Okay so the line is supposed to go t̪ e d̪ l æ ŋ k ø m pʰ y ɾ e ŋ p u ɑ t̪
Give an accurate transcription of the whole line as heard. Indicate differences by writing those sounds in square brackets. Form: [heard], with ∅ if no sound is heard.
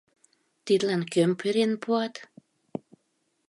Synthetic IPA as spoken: t̪ [i] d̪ l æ [n] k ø m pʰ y ɾ e [n] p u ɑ t̪